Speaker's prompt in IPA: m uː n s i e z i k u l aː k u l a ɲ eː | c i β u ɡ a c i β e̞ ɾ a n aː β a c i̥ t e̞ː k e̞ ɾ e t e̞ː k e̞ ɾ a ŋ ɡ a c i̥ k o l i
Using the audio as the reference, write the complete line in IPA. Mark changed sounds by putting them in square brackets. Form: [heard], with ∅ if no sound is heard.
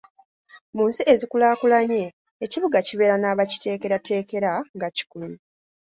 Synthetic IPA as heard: m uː n s i e z i k u l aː k u l a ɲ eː | c i β u ɡ a c i β e̞ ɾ a n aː β a c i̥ t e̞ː k e̞ ɾ [a] t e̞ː k e̞ ɾ a ŋ ɡ a c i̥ k [u] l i